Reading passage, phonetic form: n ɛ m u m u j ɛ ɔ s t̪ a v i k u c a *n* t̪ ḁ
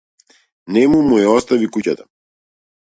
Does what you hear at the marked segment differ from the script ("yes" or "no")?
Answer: yes